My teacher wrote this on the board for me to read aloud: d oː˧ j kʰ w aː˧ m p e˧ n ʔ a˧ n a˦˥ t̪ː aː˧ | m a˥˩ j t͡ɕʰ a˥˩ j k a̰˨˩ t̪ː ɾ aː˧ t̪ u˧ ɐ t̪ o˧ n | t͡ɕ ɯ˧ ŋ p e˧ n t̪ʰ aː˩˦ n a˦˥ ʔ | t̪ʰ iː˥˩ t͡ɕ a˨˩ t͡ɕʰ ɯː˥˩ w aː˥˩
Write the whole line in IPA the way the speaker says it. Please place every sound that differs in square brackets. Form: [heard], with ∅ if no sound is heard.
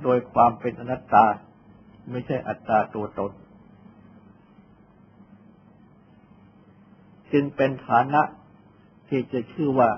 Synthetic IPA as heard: d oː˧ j kʰ w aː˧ m p e˧ n ʔ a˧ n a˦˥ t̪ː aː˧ | m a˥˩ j t͡ɕʰ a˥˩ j [ʔ] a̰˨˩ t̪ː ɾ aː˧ t̪ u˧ ɐ t̪ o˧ n | t͡ɕ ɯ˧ ŋ p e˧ n t̪ʰ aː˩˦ n a˦˥ ʔ | t̪ʰ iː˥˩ t͡ɕ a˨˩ t͡ɕʰ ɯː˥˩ w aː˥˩